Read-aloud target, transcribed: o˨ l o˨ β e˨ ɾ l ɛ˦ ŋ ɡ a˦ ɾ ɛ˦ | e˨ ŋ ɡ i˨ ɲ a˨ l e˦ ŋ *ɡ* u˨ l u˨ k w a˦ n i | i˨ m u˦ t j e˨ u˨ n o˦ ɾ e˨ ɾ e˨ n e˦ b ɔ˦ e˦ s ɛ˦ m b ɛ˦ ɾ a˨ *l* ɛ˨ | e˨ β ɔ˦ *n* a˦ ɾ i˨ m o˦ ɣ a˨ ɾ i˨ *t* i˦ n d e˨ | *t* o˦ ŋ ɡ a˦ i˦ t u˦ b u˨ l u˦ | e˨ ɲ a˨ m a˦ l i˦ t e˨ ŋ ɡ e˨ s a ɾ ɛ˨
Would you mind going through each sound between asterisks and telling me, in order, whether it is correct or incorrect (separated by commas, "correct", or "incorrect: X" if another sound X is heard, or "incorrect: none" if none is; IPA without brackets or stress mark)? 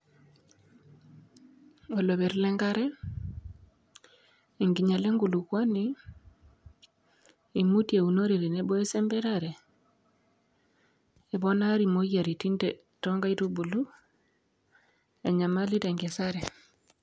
correct, incorrect: ɾ, correct, correct, correct